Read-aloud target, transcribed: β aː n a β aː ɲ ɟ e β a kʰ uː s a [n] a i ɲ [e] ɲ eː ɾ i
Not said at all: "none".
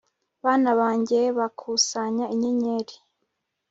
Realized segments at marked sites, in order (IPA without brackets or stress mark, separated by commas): ɲ, e